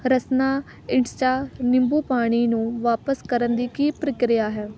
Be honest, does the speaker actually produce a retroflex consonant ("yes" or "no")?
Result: yes